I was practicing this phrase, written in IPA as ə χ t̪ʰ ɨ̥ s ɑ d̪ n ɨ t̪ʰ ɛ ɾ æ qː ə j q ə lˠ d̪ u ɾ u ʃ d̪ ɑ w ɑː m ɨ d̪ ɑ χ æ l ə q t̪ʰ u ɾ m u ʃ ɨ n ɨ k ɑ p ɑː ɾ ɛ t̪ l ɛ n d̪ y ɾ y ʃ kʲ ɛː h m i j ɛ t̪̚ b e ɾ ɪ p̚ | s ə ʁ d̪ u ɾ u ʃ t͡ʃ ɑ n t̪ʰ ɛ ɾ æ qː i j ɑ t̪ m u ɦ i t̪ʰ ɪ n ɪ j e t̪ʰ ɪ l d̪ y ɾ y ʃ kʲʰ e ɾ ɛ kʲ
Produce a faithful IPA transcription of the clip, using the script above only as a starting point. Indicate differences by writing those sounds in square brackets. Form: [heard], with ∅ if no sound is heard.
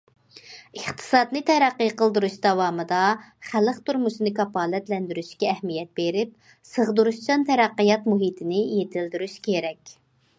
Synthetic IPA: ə χ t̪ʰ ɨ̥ s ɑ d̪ n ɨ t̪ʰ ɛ ɾ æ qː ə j q ə lˠ d̪ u ɾ u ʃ d̪ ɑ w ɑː m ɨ d̪ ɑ χ æ l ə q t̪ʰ u ɾ m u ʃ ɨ n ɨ k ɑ p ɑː [l] ɛ t̪ l ɛ n d̪ y ɾ y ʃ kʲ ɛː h m i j ɛ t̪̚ b e ɾ ɪ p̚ | s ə ʁ d̪ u ɾ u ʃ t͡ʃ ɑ n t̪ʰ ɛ ɾ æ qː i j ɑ t̪ m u ɦ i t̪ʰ ɪ n ɪ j e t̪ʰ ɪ l d̪ y ɾ y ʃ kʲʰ e ɾ ɛ kʲ